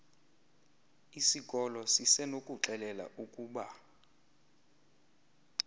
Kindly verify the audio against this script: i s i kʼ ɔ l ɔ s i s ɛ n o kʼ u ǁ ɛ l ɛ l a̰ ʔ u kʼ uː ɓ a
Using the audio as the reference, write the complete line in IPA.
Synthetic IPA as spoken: i s i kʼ ɔ l ɔ s i s ɛ n o kʼ u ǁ ɛ l ɛ l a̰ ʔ u kʼ uː ɓ a